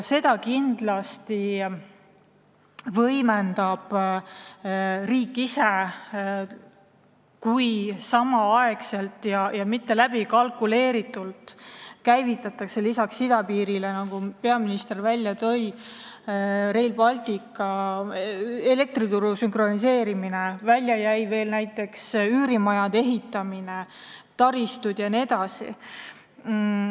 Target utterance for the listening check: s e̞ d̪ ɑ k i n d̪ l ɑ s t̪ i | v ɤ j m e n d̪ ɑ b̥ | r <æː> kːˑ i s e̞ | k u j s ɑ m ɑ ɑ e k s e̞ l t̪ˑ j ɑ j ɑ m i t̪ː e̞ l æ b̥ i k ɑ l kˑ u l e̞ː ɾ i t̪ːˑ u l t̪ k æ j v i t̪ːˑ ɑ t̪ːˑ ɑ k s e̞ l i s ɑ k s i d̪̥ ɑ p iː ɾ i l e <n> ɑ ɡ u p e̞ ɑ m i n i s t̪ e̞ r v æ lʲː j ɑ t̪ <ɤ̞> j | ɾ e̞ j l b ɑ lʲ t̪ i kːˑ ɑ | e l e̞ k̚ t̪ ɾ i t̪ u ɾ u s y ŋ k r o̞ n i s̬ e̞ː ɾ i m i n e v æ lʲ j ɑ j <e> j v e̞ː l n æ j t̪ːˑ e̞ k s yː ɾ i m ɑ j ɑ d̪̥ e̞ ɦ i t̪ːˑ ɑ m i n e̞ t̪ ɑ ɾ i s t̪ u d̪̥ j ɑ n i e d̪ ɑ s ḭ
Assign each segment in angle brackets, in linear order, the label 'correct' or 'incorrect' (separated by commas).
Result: incorrect, correct, correct, incorrect